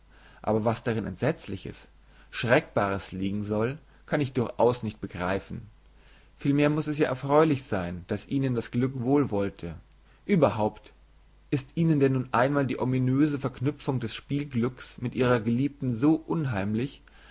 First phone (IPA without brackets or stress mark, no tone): ʔ